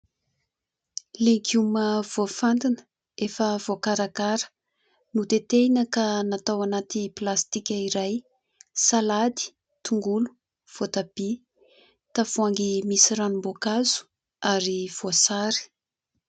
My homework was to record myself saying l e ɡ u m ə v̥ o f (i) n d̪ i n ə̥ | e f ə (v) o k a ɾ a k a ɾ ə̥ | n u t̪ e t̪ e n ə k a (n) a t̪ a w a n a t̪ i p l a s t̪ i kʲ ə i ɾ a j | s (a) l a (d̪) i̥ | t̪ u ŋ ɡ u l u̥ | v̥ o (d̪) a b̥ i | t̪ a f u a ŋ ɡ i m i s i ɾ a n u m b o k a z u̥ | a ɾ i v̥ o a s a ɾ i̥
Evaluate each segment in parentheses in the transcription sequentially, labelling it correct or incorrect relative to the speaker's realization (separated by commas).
incorrect, correct, correct, correct, correct, incorrect